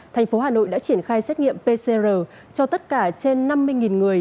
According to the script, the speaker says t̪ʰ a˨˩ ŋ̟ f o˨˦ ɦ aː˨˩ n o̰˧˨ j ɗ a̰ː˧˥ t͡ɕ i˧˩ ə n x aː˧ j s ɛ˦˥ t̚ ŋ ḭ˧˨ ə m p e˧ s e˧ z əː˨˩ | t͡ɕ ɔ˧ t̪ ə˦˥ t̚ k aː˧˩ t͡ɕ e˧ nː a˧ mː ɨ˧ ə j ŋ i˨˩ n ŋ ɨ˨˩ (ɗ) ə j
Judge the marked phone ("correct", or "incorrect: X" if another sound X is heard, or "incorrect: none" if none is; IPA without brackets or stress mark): incorrect: none